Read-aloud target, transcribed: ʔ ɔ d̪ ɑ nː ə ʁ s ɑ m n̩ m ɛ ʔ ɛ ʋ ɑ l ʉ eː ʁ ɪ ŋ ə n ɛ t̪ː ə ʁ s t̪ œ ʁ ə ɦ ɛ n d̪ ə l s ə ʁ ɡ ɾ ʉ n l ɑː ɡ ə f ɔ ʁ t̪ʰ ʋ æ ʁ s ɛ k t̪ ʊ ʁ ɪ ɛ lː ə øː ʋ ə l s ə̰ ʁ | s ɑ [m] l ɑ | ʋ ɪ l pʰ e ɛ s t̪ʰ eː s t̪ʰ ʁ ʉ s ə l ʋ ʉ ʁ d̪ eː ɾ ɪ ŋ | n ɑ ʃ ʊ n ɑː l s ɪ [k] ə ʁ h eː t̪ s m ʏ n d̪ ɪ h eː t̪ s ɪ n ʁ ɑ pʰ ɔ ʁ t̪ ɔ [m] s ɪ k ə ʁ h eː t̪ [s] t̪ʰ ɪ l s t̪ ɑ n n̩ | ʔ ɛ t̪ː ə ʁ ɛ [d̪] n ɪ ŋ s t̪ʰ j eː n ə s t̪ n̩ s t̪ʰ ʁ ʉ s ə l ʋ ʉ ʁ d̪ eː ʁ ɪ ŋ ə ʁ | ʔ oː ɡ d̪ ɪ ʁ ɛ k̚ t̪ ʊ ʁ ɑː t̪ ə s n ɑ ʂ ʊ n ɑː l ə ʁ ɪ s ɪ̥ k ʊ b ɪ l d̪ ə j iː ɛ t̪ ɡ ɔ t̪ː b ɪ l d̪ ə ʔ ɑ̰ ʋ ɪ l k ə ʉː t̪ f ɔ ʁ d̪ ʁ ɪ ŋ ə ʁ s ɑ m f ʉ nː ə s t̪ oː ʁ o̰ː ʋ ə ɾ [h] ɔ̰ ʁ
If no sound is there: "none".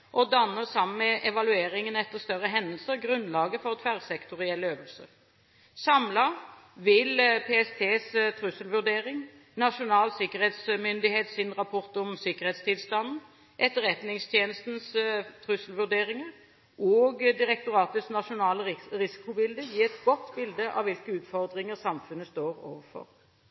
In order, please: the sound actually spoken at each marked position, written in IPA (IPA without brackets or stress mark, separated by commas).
m, k, m, s, t̪, f